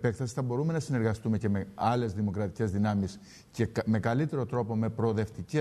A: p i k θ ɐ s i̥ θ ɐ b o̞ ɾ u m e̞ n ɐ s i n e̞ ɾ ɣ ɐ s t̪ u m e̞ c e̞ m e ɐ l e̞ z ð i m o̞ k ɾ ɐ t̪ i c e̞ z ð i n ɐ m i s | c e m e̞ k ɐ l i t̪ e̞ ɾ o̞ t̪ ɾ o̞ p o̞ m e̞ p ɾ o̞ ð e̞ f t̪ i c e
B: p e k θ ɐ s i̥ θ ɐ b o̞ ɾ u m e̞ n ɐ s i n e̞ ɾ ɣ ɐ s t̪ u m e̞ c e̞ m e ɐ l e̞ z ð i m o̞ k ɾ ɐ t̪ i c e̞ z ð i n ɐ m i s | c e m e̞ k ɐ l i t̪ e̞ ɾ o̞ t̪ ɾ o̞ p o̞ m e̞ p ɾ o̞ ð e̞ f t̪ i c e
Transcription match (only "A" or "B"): B